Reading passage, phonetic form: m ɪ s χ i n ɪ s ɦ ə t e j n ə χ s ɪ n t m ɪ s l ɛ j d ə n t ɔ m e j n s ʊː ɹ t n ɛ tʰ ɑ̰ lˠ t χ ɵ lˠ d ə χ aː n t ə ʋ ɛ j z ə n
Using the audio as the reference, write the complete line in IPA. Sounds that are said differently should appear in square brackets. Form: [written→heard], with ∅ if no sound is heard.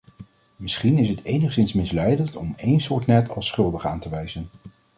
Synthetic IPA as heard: m ɪ s χ i n ɪ s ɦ ə t e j n ə χ s ɪ n [t→s] m ɪ s l ɛ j d ə n t ɔ m e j n s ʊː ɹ t n ɛ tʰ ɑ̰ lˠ [t→s] χ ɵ lˠ d ə χ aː n t ə ʋ ɛ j z ə n